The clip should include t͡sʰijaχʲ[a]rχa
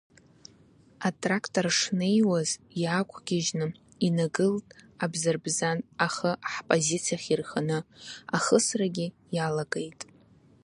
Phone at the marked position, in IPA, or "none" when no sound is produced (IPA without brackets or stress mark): i